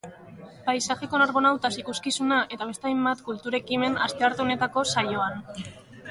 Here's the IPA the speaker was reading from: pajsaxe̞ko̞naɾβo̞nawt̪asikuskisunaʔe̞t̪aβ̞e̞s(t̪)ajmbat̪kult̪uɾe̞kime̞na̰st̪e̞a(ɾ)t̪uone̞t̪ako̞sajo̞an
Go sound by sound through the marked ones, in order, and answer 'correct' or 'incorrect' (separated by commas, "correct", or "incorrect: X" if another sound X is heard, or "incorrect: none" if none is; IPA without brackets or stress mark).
correct, correct